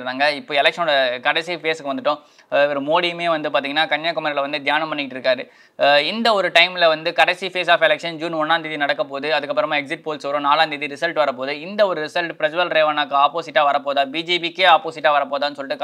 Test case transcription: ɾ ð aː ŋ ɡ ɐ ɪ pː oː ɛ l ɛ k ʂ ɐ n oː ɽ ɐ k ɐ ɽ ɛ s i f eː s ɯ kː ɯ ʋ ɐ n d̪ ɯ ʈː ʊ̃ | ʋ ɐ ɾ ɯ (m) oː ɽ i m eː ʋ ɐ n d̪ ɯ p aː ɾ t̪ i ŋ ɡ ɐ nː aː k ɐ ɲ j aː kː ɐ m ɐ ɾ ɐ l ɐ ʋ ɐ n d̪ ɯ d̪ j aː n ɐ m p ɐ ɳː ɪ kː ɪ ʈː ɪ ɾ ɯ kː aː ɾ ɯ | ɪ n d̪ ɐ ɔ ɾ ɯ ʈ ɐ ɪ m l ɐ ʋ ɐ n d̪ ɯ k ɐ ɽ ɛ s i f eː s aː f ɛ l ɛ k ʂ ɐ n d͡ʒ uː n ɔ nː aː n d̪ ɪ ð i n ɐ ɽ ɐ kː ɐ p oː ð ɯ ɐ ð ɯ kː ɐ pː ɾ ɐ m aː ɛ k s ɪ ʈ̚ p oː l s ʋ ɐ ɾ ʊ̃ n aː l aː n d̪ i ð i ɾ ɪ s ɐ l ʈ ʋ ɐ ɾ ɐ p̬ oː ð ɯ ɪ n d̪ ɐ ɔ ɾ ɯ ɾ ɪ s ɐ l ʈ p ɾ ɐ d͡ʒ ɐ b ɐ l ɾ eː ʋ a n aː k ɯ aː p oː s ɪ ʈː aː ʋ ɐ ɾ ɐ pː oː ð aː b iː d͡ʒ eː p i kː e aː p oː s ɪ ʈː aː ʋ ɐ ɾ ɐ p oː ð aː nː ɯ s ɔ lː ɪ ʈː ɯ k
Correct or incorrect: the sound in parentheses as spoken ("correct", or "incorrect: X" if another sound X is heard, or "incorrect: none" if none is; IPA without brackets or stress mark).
correct